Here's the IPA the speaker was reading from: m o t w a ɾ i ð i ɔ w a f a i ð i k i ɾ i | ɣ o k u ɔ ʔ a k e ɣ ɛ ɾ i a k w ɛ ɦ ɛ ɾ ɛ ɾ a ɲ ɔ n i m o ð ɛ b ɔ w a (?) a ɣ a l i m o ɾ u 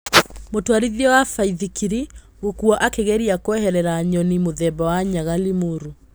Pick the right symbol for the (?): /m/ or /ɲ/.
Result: ɲ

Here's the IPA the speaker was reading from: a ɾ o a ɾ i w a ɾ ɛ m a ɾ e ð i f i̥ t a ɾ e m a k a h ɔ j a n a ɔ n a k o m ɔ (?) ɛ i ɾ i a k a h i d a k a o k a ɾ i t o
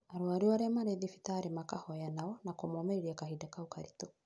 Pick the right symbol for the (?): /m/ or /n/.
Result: m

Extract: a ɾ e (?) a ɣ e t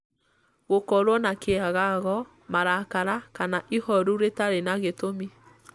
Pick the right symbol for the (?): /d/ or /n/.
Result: n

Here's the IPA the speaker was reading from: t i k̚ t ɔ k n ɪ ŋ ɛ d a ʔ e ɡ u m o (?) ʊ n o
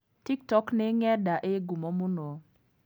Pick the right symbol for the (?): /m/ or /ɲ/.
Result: m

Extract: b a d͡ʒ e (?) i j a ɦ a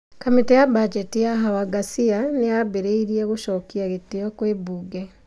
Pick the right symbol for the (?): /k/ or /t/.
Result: t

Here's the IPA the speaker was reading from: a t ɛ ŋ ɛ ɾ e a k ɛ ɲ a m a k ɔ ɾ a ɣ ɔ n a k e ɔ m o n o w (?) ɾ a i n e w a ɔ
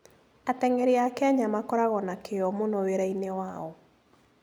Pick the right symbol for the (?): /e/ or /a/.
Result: e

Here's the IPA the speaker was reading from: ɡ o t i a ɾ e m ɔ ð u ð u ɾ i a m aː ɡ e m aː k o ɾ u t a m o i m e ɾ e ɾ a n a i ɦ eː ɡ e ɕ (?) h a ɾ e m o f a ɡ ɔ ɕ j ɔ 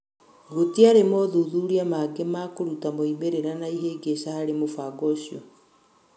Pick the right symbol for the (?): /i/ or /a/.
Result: a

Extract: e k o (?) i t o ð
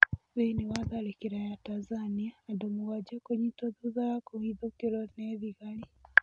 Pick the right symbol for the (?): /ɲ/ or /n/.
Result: ɲ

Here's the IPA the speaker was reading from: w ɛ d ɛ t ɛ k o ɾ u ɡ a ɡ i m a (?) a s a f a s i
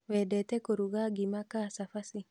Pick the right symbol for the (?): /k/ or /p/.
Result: k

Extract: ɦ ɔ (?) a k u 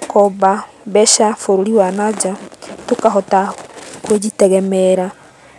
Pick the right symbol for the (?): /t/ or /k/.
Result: t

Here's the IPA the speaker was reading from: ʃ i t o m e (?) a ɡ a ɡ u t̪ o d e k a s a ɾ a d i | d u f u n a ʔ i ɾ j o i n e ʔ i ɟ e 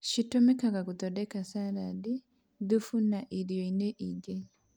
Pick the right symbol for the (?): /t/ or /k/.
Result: k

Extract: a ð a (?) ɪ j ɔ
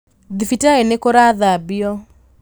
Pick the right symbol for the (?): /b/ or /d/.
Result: b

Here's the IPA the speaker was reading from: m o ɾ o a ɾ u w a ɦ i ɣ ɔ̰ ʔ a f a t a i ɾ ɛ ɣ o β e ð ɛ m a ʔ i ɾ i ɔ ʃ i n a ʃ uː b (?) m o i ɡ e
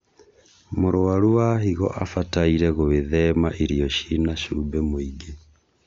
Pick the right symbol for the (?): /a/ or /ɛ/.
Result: ɛ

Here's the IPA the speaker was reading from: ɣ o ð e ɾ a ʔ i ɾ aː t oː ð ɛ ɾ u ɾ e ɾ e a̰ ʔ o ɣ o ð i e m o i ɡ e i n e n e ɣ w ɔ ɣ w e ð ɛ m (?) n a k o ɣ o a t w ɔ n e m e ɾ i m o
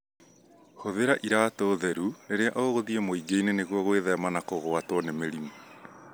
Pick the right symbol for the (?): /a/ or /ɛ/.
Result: a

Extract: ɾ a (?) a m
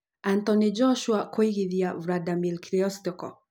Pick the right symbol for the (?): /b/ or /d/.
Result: d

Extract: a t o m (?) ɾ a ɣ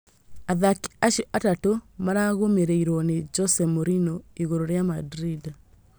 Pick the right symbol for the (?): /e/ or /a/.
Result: a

